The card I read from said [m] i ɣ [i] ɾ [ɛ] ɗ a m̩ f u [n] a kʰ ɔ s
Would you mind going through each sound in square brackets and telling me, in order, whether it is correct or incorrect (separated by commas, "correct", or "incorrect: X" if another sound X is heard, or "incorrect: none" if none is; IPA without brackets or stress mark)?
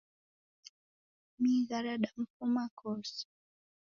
correct, incorrect: a, incorrect: a, incorrect: m